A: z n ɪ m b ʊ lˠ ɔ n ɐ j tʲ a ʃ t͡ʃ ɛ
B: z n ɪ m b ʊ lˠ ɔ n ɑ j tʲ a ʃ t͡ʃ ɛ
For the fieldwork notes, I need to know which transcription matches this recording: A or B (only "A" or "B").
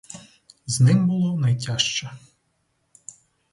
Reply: A